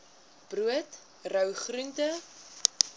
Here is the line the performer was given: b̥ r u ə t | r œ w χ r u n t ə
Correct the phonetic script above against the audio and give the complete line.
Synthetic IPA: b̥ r u ə t | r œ w χ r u n t ə